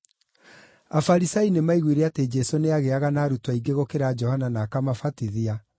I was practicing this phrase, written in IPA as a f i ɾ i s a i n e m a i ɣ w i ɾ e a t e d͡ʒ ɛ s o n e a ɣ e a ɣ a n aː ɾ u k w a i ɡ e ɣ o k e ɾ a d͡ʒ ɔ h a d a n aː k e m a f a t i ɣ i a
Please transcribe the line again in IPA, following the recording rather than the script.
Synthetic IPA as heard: a f a ɾ i s a i n e m a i ɣ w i ɾ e a t e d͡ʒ ɛ s o n e a ɣ e a ɣ a n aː ɾ u t w a i ɡ e ɣ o k e ɾ a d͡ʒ ɔ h a n a n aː k a m a f a t i ð i a